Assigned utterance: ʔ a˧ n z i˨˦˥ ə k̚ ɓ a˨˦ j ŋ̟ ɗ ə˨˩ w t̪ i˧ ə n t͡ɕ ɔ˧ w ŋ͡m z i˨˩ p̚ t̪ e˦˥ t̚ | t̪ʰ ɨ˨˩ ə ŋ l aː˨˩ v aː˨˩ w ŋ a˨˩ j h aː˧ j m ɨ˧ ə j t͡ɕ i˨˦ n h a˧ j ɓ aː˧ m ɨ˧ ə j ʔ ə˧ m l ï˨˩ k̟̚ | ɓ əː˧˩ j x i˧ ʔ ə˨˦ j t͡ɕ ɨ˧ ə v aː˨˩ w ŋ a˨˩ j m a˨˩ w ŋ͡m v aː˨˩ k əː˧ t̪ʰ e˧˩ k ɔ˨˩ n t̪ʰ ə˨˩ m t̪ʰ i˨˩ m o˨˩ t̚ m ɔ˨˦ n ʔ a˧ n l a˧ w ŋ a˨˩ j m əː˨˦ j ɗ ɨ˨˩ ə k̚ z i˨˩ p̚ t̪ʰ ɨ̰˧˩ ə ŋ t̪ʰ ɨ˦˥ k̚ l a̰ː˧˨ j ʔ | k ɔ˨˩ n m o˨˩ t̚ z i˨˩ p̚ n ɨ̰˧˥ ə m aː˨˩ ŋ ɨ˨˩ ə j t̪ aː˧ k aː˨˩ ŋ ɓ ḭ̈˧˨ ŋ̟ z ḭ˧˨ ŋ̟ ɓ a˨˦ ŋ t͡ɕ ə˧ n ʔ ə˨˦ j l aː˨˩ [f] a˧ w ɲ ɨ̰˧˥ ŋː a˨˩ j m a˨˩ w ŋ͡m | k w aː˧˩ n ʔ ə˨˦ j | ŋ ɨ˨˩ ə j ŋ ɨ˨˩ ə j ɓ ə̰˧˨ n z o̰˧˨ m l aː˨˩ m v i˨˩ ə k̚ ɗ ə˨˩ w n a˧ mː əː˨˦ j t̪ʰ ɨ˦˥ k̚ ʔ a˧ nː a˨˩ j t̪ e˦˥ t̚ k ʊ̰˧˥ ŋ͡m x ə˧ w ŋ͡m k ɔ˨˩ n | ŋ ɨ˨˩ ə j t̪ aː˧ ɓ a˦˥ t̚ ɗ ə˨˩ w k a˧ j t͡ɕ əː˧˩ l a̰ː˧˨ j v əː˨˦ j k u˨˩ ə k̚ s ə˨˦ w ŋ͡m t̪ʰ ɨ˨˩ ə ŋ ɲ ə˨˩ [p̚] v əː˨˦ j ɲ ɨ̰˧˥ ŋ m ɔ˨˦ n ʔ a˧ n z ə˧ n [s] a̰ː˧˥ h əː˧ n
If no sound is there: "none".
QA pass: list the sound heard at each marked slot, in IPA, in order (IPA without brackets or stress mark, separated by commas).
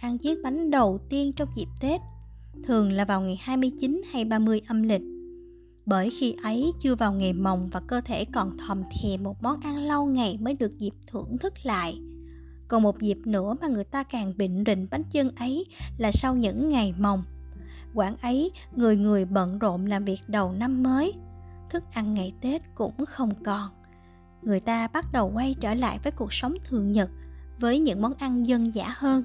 s, t̚, z